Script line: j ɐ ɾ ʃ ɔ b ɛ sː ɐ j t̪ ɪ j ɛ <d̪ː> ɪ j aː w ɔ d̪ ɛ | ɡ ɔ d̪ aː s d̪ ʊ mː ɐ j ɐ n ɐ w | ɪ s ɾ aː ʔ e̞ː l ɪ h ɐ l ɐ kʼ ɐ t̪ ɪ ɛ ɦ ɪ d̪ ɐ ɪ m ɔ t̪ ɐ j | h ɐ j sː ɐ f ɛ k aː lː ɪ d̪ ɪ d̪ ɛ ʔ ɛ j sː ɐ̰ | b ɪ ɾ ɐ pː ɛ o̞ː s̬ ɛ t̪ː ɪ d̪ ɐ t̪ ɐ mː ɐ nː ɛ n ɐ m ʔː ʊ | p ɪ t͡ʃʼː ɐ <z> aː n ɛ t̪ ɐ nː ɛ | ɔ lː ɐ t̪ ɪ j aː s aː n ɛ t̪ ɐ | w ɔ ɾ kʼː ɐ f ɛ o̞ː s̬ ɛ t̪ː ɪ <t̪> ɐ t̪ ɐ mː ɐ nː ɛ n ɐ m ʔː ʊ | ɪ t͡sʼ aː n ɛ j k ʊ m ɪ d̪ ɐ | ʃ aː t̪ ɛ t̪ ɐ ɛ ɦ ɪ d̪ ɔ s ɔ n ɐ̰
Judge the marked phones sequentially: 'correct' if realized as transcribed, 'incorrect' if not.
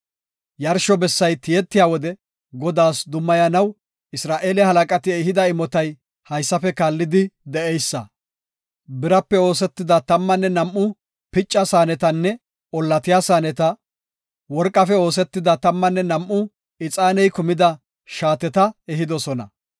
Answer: incorrect: t̪ː, incorrect: s, incorrect: d̪

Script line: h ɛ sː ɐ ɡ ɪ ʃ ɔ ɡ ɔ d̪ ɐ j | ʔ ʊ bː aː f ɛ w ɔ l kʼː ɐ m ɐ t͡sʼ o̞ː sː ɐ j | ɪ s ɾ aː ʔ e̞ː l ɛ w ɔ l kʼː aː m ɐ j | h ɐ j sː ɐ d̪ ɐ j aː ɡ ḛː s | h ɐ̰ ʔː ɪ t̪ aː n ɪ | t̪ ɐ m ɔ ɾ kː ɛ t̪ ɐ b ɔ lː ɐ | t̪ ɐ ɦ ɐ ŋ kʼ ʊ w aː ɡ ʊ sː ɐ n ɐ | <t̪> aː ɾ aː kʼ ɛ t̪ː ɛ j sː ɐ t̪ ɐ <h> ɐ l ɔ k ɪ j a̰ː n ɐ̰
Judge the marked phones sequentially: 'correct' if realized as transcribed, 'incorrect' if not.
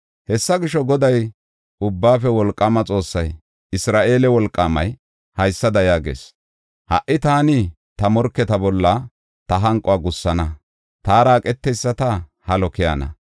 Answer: correct, correct

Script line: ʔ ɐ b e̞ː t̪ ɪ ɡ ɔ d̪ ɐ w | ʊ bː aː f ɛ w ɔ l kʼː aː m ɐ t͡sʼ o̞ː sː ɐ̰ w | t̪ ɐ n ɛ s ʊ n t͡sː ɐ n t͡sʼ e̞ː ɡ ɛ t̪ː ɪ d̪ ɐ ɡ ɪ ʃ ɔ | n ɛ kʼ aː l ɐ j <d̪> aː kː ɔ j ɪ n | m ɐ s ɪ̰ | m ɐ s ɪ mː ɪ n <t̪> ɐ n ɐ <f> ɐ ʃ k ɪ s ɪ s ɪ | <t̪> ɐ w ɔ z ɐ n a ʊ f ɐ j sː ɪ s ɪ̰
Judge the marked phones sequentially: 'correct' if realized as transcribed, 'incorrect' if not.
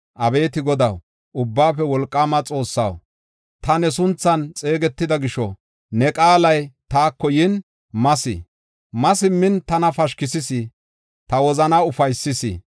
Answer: incorrect: t̪, correct, correct, correct

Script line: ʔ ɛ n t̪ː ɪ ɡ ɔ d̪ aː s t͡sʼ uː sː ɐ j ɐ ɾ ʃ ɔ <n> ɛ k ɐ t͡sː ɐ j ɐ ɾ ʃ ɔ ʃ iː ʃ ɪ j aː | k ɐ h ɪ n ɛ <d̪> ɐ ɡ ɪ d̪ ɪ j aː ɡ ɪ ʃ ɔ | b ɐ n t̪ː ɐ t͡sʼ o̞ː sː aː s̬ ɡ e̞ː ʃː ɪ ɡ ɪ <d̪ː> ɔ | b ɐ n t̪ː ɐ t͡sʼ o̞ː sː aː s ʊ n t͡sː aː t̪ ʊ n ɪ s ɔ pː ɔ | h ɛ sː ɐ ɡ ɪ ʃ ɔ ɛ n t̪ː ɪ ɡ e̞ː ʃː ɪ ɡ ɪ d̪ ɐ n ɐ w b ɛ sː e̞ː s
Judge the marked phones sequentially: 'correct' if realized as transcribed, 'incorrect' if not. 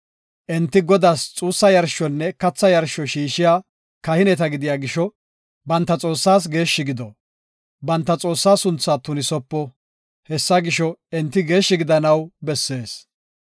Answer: incorrect: nː, incorrect: t̪, incorrect: d̪

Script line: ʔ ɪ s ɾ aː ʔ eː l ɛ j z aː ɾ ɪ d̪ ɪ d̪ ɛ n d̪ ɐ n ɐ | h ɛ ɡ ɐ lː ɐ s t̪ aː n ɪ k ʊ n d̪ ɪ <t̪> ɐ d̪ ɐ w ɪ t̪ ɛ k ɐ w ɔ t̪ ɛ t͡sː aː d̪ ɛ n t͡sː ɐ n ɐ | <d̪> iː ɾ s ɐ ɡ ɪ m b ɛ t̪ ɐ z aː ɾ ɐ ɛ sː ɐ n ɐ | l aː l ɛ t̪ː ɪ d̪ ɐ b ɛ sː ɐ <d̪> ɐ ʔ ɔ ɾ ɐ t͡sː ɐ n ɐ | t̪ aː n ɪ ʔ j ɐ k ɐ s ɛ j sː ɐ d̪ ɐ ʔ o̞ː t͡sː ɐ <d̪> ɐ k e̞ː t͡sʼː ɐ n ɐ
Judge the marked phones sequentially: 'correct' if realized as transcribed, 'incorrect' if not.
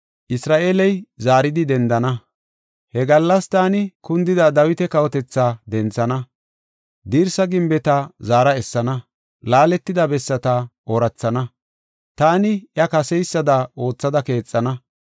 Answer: incorrect: d̪, correct, incorrect: t̪, correct

